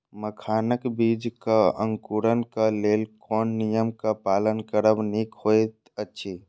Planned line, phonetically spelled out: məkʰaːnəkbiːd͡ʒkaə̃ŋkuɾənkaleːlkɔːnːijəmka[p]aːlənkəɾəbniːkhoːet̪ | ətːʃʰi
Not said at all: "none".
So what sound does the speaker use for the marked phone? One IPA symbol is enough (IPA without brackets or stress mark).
p